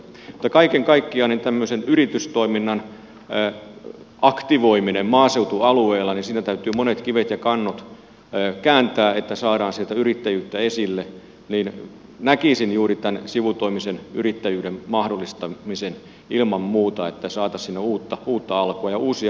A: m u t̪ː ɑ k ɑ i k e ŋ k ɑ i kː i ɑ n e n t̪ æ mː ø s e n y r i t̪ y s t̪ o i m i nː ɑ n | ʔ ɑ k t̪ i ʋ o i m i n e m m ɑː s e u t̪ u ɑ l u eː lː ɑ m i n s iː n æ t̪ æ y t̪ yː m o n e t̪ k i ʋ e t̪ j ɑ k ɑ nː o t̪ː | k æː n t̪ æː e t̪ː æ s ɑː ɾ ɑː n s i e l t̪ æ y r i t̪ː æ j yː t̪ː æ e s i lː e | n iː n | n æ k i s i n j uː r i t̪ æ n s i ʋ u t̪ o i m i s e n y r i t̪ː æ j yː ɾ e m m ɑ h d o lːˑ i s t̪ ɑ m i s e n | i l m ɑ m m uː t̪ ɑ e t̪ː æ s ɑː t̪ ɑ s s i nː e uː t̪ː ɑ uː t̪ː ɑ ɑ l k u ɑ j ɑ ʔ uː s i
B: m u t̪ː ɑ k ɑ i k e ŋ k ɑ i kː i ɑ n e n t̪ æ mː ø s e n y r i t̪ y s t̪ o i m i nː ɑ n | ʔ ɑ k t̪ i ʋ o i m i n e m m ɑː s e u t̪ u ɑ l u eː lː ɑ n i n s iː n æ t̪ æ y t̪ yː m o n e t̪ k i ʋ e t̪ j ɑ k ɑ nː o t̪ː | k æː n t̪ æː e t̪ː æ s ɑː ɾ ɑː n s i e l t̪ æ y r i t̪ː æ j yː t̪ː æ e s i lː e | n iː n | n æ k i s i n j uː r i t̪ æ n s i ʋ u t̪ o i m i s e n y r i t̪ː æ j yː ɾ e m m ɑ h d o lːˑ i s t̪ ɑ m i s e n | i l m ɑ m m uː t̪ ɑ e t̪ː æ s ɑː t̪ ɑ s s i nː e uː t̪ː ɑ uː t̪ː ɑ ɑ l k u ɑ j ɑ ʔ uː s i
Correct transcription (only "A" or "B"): B